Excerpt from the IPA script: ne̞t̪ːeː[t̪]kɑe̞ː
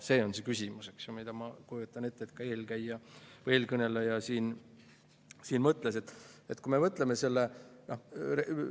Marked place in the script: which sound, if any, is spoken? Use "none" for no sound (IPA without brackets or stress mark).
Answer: t̪